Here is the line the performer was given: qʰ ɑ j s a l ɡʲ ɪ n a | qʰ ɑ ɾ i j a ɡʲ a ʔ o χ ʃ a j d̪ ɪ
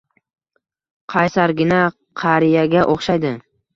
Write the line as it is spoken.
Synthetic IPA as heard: qʰ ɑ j s a ɾ ɡʲ ɪ n a | qʰ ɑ ɾ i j a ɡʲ a ʔ o χ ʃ a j d̪ ɪ